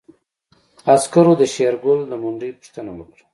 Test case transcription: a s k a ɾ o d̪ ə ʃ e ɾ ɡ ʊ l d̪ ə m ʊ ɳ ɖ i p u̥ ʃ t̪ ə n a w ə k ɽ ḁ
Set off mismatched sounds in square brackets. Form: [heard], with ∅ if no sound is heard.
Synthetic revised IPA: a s k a ɾ o d̪ ə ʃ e ɾ ɡ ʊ l d̪ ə m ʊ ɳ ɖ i p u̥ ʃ t̪ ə n a w ə k ɽ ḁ